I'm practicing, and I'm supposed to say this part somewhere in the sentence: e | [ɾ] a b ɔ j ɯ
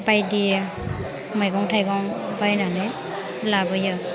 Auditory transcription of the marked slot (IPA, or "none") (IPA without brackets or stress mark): l